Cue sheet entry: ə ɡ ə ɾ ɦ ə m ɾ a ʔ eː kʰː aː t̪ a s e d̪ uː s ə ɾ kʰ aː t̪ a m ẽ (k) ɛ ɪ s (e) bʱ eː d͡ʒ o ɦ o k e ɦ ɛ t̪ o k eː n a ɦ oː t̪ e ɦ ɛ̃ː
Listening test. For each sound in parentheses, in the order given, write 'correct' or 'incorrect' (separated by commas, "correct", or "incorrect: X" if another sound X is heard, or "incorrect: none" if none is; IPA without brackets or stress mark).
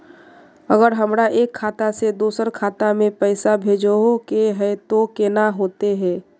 incorrect: p, incorrect: a